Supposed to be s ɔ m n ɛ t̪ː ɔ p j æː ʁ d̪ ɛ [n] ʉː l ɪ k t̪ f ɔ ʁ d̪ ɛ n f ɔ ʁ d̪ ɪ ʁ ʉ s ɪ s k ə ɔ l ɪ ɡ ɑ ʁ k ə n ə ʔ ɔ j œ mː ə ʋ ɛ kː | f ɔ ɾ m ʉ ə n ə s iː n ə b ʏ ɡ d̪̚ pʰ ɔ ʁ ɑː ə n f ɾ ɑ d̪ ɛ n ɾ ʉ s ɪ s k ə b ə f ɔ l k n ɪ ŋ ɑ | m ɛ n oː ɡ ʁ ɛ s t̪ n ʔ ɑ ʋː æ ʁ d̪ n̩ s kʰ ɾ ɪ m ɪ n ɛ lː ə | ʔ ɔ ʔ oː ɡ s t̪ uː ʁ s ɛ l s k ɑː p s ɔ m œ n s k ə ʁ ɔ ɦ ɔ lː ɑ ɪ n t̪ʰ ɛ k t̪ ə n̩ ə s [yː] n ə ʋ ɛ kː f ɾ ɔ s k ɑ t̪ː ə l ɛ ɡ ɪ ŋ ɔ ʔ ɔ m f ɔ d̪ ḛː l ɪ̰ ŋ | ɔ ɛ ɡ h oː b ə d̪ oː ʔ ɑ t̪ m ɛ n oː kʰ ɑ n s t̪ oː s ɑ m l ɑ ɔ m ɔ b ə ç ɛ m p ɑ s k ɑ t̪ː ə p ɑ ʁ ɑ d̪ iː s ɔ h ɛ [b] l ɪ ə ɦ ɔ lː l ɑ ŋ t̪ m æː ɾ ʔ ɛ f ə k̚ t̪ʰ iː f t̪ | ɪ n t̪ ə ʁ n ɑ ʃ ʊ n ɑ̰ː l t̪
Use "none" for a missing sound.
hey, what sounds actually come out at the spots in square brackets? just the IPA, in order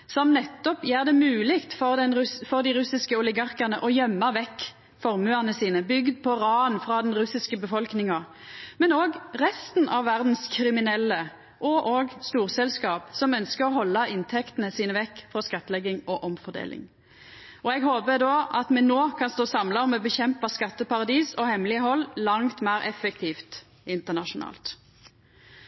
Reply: m, iː, m

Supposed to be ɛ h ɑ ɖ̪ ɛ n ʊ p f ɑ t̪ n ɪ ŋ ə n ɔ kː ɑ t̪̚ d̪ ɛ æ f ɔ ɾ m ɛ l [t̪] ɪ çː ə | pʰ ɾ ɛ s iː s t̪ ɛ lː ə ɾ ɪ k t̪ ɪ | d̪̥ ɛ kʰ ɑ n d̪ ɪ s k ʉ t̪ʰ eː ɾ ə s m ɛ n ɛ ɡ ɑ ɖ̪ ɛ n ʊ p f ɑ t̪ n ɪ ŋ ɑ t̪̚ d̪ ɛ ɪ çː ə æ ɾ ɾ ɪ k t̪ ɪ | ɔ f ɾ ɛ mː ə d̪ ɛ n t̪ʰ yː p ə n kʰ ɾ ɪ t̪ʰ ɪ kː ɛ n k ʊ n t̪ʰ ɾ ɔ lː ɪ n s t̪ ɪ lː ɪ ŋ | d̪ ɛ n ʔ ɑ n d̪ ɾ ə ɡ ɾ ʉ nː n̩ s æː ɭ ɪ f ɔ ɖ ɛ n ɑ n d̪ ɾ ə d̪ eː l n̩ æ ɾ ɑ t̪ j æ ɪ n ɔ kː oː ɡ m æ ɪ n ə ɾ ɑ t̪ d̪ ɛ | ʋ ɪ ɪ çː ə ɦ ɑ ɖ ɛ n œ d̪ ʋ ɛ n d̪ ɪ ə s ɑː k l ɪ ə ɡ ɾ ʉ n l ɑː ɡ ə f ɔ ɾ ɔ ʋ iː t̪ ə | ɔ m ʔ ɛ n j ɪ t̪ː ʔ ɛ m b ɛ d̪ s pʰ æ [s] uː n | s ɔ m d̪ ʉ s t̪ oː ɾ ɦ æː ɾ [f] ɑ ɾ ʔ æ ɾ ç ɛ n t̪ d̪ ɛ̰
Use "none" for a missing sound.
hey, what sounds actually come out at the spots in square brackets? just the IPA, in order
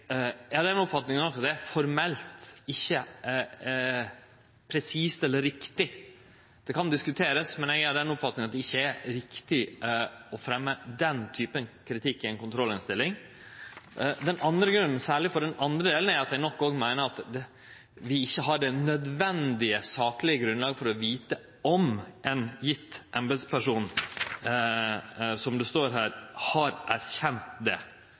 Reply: t̪, ʂ, h

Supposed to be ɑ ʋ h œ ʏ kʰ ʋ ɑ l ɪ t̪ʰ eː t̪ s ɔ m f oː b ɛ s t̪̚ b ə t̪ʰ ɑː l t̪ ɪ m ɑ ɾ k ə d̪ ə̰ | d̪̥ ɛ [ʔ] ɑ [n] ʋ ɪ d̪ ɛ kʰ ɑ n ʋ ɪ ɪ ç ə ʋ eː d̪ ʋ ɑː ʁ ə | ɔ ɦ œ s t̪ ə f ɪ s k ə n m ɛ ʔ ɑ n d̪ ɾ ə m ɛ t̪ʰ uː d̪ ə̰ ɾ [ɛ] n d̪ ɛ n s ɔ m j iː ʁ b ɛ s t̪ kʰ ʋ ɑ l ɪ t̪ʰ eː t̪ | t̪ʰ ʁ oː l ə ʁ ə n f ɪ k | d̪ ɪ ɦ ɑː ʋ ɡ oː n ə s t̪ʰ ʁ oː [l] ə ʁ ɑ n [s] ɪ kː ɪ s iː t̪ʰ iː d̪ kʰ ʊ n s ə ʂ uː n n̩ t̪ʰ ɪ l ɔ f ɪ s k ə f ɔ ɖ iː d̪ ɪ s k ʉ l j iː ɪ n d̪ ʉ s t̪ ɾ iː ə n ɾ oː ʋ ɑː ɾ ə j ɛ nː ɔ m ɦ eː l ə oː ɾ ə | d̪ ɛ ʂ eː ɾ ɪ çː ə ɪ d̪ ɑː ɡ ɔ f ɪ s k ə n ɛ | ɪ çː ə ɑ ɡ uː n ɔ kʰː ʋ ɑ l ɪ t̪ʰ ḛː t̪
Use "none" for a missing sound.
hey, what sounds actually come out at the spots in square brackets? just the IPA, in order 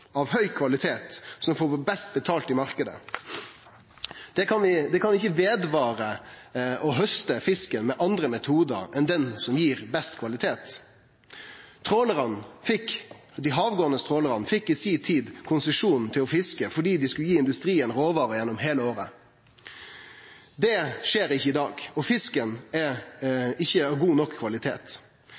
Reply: k, n, ɛ, l, f

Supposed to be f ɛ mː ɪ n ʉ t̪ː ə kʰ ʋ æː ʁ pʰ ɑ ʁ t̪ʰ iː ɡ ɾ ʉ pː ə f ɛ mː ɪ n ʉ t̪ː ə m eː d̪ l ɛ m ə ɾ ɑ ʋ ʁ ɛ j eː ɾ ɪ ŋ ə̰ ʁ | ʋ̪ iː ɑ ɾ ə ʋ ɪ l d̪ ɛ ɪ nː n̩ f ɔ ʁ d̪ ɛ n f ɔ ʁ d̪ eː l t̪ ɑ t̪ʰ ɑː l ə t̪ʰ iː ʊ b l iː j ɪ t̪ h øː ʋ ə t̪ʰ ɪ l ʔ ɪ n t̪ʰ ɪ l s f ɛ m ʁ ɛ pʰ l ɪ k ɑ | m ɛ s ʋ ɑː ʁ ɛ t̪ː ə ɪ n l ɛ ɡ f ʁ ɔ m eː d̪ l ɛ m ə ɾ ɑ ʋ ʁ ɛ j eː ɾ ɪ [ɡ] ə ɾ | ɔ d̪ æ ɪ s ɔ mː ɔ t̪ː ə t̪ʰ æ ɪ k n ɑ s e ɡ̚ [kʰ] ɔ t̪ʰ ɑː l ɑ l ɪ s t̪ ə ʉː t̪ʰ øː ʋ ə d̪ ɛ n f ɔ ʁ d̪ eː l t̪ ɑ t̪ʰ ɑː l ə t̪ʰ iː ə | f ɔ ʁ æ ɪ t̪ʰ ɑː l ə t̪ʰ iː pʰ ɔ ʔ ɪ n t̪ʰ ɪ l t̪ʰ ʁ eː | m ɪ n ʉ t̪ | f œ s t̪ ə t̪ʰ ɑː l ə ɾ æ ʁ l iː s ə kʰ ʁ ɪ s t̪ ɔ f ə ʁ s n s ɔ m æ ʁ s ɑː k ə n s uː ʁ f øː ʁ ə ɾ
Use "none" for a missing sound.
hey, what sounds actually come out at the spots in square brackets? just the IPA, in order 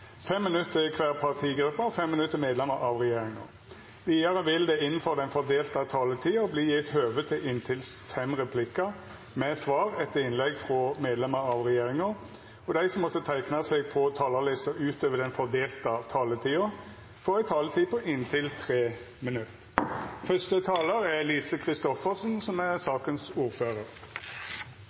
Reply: ŋ, pʰ

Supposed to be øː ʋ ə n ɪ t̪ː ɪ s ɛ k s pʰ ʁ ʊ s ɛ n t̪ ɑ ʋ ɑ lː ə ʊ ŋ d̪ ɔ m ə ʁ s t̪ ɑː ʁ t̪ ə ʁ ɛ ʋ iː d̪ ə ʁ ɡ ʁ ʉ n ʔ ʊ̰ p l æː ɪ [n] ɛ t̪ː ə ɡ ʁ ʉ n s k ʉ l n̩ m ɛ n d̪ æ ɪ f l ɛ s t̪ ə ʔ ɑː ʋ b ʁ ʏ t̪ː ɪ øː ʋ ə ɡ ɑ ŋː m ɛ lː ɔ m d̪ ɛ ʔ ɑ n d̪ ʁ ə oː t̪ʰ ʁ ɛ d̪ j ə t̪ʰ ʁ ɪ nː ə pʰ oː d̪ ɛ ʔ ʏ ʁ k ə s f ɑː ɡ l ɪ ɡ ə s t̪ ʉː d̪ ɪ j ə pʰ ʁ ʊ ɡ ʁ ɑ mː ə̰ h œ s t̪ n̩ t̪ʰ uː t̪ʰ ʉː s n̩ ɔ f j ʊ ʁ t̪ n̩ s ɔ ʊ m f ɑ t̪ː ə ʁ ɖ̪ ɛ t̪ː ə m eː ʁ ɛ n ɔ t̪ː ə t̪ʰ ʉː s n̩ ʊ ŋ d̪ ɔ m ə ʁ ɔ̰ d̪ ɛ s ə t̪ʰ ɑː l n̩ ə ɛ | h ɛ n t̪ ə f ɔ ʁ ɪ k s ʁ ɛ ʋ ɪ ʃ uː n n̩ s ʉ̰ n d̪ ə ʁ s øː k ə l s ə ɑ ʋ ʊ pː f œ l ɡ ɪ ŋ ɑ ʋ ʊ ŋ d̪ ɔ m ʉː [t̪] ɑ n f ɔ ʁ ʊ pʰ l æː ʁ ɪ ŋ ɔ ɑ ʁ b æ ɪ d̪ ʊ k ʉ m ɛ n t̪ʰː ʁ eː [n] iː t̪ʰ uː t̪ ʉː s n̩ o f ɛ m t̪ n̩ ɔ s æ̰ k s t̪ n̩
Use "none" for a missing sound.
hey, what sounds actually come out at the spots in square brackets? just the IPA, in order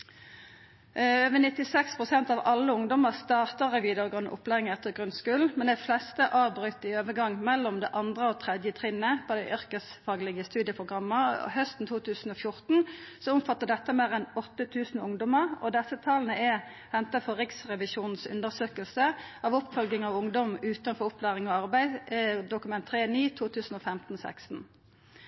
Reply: ŋ, t̪, n

